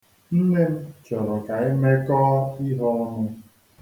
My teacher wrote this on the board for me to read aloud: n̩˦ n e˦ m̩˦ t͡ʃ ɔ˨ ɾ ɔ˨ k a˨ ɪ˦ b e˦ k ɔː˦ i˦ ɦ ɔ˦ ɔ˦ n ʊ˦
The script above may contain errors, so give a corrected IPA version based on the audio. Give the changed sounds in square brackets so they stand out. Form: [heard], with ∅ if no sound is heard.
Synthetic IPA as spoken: n̩˦ n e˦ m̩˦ t͡ʃ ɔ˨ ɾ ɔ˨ k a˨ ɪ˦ [m] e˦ k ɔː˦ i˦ ɦ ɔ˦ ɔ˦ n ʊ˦